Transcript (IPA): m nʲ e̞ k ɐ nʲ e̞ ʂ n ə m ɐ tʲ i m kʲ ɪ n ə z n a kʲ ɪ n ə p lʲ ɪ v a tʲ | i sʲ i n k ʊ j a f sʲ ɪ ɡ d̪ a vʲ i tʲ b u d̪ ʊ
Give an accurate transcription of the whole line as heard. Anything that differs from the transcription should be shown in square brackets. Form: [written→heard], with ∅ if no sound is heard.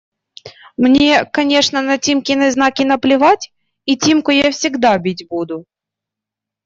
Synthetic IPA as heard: m nʲ e̞ k ɐ nʲ e̞ ʂ n ə [m→n] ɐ tʲ i m kʲ ɪ n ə z n a kʲ ɪ n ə p lʲ ɪ v a tʲ | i [sʲ→tʲ] i [n→m] k ʊ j a f sʲ ɪ ɡ d̪ a [vʲ→bʲ] i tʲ b u d̪ ʊ